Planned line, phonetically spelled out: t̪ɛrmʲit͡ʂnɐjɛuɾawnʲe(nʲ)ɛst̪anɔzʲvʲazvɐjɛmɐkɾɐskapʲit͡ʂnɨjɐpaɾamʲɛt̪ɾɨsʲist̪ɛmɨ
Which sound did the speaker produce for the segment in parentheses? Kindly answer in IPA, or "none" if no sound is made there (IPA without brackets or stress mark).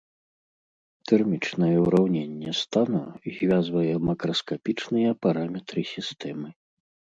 nʲː